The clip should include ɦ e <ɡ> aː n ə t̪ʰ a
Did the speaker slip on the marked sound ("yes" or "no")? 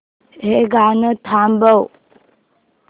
no